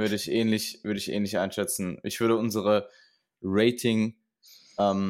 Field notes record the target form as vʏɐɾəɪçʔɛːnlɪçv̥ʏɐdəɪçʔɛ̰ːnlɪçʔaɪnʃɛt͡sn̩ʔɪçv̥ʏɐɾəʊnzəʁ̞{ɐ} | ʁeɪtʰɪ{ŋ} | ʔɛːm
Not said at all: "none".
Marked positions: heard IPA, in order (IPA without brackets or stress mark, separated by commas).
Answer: ə, ŋ